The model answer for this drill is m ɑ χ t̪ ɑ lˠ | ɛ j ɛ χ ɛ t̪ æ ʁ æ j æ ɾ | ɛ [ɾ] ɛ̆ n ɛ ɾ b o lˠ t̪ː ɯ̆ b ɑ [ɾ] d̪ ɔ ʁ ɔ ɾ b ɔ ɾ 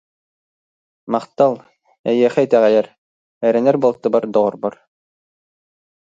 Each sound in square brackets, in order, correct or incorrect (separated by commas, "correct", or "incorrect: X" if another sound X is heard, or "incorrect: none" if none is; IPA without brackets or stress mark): correct, correct